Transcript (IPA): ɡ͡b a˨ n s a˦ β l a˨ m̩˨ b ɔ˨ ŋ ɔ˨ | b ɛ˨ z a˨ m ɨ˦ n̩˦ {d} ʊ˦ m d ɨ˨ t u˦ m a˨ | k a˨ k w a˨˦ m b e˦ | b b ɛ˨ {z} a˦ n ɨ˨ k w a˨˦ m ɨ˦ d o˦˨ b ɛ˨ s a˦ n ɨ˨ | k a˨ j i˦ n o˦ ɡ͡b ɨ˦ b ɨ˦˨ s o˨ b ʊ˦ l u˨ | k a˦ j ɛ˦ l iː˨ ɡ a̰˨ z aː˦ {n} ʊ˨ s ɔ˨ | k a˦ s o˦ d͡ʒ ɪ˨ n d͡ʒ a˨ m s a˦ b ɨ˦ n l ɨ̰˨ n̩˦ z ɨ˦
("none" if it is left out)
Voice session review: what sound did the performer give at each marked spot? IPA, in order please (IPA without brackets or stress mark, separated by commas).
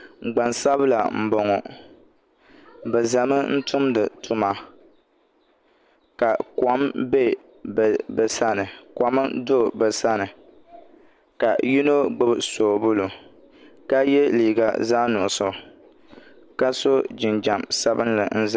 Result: t, s, n